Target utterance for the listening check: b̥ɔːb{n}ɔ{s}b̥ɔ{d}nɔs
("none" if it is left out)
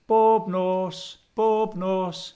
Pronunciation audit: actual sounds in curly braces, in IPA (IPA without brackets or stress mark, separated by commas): n, s, b